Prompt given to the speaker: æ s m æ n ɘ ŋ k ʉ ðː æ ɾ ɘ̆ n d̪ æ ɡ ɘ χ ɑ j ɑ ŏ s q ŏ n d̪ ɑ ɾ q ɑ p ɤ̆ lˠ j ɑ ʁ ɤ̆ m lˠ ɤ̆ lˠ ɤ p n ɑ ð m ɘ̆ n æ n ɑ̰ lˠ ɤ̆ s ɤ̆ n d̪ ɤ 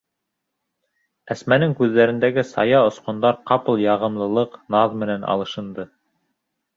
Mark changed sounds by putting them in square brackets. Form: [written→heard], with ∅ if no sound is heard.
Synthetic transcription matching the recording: æ s m æ n ɘ ŋ k ʉ ðː æ ɾ ɘ̆ n d̪ æ ɡ ɘ [χ→s] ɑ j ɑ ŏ s q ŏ n d̪ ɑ ɾ q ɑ p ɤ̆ lˠ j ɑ ʁ ɤ̆ m lˠ ɤ̆ lˠ ɤ [p→q] n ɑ ð m ɘ̆ n æ n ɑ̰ lˠ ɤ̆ [s→ʃ] ɤ̆ n d̪ ɤ

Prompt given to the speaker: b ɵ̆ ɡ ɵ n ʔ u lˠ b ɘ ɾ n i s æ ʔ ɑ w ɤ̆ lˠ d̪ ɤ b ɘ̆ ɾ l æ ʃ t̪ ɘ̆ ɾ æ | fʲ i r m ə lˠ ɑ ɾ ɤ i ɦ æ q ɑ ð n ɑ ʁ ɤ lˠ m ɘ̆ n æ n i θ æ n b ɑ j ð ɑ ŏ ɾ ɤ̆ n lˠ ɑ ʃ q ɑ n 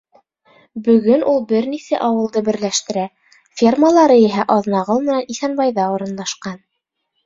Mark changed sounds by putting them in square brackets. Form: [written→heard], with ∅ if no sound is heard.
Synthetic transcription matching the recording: b ɵ̆ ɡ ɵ n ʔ u lˠ b ɘ ɾ n i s æ ʔ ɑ w ɤ̆ lˠ d̪ ɤ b ɘ̆ ɾ l æ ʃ t̪ ɘ̆ ɾ æ | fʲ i r m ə lˠ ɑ ɾ ɤ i ɦ æ [q→ʔ] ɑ ð n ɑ ʁ ɤ lˠ m ɘ̆ n æ n i θ æ n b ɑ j ð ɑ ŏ ɾ ɤ̆ n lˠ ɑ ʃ q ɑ n

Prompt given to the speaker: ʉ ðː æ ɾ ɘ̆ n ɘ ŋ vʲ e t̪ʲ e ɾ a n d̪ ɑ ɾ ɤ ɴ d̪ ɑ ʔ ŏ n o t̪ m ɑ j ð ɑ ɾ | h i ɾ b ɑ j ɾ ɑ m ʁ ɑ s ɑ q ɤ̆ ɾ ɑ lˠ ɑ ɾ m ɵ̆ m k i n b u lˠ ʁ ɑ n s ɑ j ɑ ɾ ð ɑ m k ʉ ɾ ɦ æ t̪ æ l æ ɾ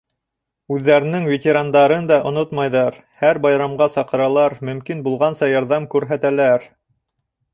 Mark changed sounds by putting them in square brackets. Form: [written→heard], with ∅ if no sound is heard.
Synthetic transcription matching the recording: ʉ ðː æ ɾ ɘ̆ n ɘ ŋ vʲ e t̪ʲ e ɾ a n d̪ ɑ ɾ ɤ [ɴ→n] d̪ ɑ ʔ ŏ n o t̪ m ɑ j ð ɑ ɾ | h [i→æ] ɾ b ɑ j ɾ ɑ m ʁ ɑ s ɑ q ɤ̆ ɾ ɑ lˠ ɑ ɾ m ɵ̆ m k i n b u lˠ ʁ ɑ n s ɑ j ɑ ɾ ð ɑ m k ʉ ɾ ɦ æ t̪ æ l æ ɾ

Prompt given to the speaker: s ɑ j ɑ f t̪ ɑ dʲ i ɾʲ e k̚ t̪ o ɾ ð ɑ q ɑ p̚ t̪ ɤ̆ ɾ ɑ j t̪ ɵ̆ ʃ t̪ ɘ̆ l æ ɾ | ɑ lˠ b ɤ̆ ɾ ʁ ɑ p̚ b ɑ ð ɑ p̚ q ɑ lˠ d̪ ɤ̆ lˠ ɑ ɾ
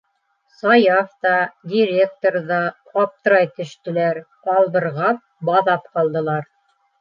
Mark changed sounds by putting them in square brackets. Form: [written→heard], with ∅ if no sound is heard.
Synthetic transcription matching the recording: s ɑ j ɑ f t̪ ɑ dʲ i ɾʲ e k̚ t̪ o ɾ ð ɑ q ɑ p̚ t̪ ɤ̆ ɾ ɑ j t̪ ɵ̆ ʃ t̪ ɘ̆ l æ ɾ | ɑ lˠ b ɤ̆ ɾ ʁ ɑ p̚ b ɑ ð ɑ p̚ q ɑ lˠ d̪ ɤ̆ lˠ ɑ ɾ

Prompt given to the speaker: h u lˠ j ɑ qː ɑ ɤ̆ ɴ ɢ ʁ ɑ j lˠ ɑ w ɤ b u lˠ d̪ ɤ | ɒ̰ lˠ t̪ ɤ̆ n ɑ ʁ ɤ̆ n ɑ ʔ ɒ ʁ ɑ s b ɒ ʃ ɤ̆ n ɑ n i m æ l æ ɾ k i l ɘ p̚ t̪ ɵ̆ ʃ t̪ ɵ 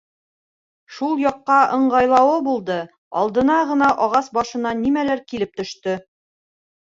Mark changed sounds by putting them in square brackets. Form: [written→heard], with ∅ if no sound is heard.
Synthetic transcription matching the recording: [h→ʃ] u lˠ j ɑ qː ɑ ɤ̆ ɴ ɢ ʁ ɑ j lˠ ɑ w ɤ b u lˠ d̪ ɤ | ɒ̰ lˠ [t̪→d̪] ɤ̆ n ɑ ʁ ɤ̆ n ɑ ʔ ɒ ʁ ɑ s b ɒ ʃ ɤ̆ n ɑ n i m æ l æ ɾ k i l ɘ p̚ t̪ ɵ̆ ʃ t̪ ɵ

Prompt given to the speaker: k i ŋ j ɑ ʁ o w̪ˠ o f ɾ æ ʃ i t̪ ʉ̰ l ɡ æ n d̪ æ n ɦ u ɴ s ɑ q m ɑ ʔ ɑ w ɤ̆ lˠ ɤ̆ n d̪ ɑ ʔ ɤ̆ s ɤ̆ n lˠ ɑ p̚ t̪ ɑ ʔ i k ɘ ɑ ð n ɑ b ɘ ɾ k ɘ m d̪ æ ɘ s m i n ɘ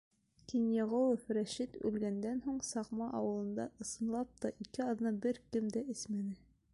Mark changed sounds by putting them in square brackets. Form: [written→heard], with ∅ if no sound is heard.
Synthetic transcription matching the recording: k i [ŋ→n] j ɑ ʁ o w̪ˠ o f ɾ æ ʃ i t̪ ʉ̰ l ɡ æ n d̪ æ n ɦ u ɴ s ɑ q m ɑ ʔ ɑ w ɤ̆ lˠ ɤ̆ n d̪ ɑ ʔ ɤ̆ s ɤ̆ n lˠ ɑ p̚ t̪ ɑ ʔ i k ɘ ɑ ð n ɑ b ɘ ɾ k ɘ m d̪ æ ɘ s m [i→æ] n ɘ

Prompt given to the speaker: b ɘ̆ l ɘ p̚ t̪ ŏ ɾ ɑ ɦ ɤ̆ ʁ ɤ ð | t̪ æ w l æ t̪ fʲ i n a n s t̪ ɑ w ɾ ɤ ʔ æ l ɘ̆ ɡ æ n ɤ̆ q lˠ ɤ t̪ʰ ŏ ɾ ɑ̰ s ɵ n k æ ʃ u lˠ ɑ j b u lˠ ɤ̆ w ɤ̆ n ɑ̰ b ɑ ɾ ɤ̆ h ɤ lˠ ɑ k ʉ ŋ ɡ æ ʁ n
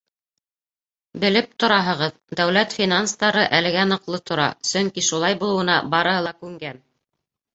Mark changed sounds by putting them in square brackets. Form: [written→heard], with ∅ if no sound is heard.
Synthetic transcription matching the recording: b ɘ̆ l ɘ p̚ t̪ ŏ ɾ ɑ ɦ ɤ̆ ʁ ɤ ð | [t̪→d̪] æ w l æ t̪ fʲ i n a n s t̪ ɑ [w→∅] ɾ ɤ ʔ æ l ɘ̆ ɡ æ n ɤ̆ q lˠ ɤ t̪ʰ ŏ ɾ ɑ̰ s ɵ [n→ŋ] k [æ→i] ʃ u lˠ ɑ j b u lˠ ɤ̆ w ɤ̆ n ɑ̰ b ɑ ɾ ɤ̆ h ɤ lˠ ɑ k ʉ ŋ ɡ æ [ʁ→∅] n

